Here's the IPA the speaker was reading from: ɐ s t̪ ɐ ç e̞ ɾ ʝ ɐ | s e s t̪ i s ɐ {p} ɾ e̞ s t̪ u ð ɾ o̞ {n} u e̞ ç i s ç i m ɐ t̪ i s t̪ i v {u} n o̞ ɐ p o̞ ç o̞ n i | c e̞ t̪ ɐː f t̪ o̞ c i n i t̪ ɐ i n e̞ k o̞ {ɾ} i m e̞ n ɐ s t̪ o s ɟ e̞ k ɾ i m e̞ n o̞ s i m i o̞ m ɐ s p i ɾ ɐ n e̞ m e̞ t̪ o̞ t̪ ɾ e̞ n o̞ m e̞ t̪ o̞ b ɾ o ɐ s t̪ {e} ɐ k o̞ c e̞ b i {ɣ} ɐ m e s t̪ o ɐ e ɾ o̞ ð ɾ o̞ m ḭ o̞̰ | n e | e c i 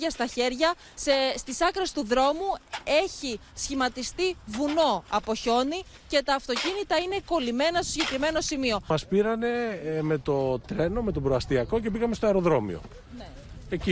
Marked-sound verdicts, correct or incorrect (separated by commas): incorrect, incorrect, correct, incorrect, incorrect, correct